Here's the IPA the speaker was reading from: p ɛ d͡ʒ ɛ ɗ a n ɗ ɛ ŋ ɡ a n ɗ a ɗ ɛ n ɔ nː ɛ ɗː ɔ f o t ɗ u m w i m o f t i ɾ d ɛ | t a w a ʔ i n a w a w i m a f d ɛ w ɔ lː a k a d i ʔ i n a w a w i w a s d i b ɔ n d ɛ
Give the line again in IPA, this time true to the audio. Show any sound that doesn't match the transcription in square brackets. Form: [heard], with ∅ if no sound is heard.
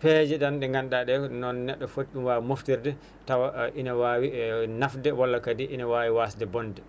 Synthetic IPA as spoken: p ɛ d͡ʒ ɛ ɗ a n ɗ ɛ ŋ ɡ a n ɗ a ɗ ɛ n ɔ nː ɛ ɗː ɔ f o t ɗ u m w [a] m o f t i ɾ d ɛ | t a w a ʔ i n a w a w i [n] a f d ɛ w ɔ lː a k a d i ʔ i n a w a w i w a s d [ɛ] b ɔ n d ɛ